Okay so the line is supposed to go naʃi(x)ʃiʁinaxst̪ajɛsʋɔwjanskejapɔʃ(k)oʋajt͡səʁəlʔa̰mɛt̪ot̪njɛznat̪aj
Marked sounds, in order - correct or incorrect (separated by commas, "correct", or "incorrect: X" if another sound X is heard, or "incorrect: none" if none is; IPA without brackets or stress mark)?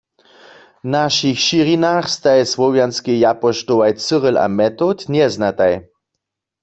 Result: correct, incorrect: t